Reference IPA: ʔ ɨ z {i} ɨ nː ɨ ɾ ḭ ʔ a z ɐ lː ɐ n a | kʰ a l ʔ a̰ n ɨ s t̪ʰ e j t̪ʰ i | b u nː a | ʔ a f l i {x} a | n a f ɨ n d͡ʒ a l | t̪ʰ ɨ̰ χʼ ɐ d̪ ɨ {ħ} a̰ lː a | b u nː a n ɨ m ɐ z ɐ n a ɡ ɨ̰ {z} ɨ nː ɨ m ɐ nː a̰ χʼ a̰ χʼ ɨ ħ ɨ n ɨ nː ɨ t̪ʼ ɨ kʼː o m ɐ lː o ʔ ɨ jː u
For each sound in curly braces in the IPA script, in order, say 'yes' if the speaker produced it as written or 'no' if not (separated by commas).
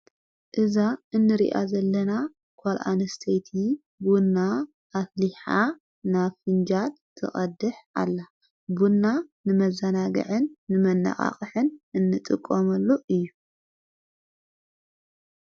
no, no, yes, no